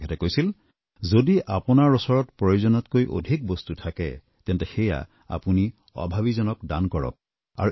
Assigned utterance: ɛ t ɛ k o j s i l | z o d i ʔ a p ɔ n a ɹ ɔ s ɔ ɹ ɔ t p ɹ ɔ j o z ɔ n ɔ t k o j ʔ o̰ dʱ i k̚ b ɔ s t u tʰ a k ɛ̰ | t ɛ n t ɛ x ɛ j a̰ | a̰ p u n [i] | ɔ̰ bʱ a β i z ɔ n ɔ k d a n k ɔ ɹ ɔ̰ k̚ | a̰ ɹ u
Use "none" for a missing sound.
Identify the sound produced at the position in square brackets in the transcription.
i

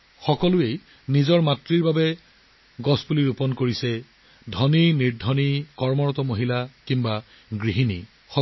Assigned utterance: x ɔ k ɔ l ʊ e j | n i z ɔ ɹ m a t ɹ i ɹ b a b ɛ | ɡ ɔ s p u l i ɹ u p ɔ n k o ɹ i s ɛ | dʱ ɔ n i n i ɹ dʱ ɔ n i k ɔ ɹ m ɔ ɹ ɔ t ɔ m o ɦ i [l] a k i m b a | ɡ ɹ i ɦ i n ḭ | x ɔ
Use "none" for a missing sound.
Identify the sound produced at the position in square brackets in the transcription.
l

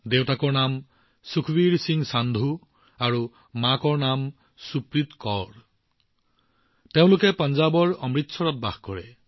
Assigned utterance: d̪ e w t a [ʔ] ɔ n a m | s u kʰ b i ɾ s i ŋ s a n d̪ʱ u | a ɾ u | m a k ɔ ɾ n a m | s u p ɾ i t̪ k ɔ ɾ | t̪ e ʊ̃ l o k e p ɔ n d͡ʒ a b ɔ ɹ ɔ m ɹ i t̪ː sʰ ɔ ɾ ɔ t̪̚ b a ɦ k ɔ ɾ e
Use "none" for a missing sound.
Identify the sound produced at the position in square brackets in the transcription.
k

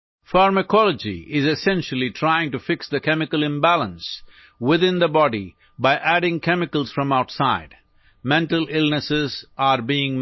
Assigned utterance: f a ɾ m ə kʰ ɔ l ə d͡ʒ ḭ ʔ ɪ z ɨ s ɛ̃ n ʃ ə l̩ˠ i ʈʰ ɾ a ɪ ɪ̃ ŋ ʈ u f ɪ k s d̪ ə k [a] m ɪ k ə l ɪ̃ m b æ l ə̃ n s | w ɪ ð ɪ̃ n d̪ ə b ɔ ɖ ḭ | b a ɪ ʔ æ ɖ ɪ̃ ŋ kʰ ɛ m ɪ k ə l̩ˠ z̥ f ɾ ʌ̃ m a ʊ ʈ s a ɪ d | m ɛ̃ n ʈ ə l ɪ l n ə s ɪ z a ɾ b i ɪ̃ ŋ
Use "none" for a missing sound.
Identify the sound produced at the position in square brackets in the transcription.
ɛ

